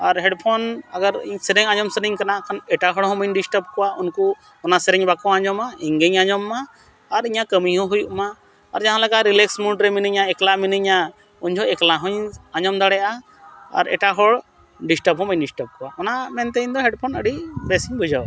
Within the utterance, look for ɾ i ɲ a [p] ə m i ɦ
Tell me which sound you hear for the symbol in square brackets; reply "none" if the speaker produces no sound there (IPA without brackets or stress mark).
k